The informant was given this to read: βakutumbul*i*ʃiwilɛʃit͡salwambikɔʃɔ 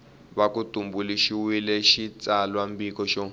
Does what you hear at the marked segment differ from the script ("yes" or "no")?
no